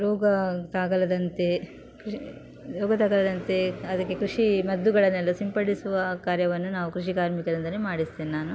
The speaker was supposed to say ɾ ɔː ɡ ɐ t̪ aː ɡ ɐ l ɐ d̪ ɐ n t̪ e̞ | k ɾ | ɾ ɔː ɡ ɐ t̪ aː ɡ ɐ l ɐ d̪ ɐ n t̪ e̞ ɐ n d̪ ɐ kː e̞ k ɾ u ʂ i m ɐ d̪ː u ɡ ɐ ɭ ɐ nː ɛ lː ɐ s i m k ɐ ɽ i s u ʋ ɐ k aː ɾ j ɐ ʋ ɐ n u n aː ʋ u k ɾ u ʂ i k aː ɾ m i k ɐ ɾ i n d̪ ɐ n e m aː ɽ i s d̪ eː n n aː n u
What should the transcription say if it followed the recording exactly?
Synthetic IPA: ɾ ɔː ɡ ɐ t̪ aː ɡ ɐ l ɐ d̪ ɐ n t̪ e̞ | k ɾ | ɾ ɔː ɡ ɐ t̪ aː ɡ ɐ l ɐ d̪ ɐ n t̪ e̞ ɐ d̪ ɐ kː e̞ k ɾ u ʂ i m ɐ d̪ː u ɡ ɐ ɭ ɐ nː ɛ lː ɐ s i m p ɐ ɽ i s u ʋ ɐ k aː ɾ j ɐ ʋ ɐ nː u n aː ʋ u k ɾ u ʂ i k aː ɾ m i k ɐ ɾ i n d̪ ɐ n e m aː ɽ i s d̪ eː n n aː n u

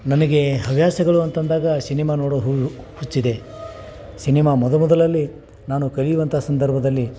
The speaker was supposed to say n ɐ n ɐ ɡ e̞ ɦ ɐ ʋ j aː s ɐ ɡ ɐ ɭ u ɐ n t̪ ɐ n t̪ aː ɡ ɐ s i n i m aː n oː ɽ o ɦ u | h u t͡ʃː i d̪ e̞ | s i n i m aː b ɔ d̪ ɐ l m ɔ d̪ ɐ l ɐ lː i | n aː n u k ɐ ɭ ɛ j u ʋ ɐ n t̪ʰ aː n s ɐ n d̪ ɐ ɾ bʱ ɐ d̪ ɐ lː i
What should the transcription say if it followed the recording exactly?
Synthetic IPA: n ɐ n ɐ ɡ e̞ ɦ ɐ ʋ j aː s ɐ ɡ ɐ ɭ u ɐ n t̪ ɐ n d̪ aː ɡ ɐ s i n i m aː n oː ɽ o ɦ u | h u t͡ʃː i d̪ e̞ | s i n i m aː m ɔ d̪ ɐ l m ɔ d̪ ɐ l ɐ lː i | n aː n u k ɐ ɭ i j u ʋ ɐ n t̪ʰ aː s ɐ n d̪ ɐ ɾ bʱ ɐ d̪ ɐ lː i

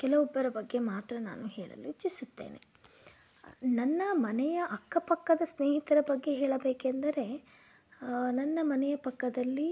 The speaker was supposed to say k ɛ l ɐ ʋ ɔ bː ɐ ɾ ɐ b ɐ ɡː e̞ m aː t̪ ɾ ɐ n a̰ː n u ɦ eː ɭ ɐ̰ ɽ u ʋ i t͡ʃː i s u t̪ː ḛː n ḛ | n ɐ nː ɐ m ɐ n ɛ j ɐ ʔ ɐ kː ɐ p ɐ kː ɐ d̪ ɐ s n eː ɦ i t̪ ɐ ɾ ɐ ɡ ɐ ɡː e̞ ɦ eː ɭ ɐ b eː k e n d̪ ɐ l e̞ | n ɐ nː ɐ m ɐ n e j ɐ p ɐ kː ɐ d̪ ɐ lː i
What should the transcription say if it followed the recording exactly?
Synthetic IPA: k ɛ l ɐ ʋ ɔ bː ɐ ɾ ɐ b ɐ ɡː e̞ m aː t̪ ɾ ɐ n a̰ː n u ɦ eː ɭ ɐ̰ l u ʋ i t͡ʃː i s u t̪ː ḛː n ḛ | n ɐ nː ɐ m ɐ n ɛ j ɐ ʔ ɐ kː ɐ p ɐ kː ɐ d̪ ɐ s n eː ɦ i t̪ ɐ ɾ ɐ b ɐ ɡː e̞ ɦ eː ɭ ɐ b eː k e n d̪ ɐ ɾ e̞ | n ɐ nː ɐ m ɐ n ɛ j ɐ p ɐ kː ɐ d̪ ɐ lː i

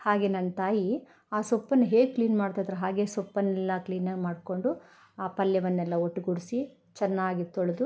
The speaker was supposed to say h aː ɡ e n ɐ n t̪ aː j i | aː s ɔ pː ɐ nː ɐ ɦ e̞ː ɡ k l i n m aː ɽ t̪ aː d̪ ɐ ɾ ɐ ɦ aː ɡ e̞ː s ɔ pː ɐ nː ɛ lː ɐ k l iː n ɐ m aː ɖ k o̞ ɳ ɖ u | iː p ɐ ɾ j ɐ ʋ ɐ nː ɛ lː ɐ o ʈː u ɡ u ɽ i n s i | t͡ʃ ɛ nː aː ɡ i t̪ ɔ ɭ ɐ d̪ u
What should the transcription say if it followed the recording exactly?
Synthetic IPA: h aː ɡ e n ɐ n t̪ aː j i | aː s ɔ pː ɐ nː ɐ ɦ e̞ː ɡ k l iː n m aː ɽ t̪ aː d̪ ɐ ɾ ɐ ɦ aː ɡ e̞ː s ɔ pː ɐ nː ɛ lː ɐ k l iː n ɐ m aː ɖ k o̞ ɳ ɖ u | aː p ɐ l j ɐ ʋ ɐ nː ɛ lː ɐ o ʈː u ɡ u ɽ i s i | t͡ʃ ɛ nː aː ɡ i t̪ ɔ ɭ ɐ d̪ u

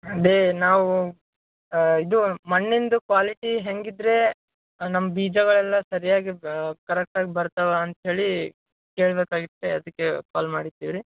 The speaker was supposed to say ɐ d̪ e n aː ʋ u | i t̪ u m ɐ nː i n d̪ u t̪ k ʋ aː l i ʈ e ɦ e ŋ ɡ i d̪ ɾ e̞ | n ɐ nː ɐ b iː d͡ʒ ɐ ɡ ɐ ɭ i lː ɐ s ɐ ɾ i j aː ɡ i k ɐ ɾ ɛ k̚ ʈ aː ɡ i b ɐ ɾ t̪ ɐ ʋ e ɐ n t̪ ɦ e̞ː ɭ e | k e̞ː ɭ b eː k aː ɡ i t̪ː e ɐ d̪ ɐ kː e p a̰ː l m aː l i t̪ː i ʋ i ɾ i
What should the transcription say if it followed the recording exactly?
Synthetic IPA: ɐ d̪ e n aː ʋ u | i d̪ u m ɐ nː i n d̪ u k ʋ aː l i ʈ i ɦ e ŋ ɡ i d̪ ɾ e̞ | n ɐ mː ɐ b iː d͡ʒ ɐ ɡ ɐ ɭ ɛ lː ɐ s ɐ ɾ i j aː ɡ i k ɐ ɾ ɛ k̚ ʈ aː ɡ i b ɐ ɾ t̪ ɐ ʋ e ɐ n t̪ ɦ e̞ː ɭ i | k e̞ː ɭ b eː k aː ɡ i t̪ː e ɐ d̪ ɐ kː e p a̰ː l m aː ɽ i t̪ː i ʋ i ɾ i

